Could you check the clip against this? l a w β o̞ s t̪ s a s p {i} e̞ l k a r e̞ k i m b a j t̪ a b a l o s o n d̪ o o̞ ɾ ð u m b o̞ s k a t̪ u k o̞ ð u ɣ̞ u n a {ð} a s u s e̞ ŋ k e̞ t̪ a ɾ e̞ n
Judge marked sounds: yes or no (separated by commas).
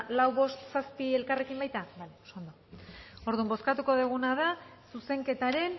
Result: yes, yes